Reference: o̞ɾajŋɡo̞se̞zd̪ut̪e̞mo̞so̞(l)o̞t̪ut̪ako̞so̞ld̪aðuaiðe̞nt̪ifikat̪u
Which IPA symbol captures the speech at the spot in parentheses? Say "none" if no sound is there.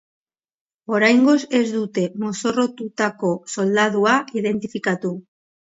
r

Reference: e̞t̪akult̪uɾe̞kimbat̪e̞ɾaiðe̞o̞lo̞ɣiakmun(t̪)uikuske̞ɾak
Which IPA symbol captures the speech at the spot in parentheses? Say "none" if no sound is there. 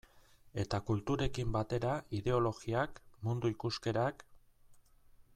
d̪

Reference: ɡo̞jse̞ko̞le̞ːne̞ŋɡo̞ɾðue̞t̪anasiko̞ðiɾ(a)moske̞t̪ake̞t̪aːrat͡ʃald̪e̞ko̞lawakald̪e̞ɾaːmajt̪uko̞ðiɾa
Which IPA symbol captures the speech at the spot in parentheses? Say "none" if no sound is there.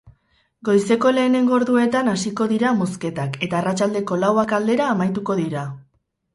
a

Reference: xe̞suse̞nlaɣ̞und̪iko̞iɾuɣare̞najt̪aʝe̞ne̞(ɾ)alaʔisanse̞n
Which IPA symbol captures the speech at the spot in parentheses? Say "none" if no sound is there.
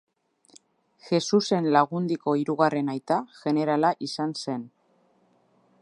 ɾ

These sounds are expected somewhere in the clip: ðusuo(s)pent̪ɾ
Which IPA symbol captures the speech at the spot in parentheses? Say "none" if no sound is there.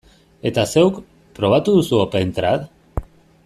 none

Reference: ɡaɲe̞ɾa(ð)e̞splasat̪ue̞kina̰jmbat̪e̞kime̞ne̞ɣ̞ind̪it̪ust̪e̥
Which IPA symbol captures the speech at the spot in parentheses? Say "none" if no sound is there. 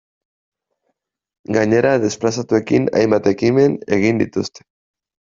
ð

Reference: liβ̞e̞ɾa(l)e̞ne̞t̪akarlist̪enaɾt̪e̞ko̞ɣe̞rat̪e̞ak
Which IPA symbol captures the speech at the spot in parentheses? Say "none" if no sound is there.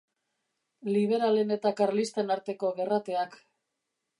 l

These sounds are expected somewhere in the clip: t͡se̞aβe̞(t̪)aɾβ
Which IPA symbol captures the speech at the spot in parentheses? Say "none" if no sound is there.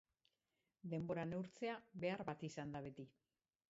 none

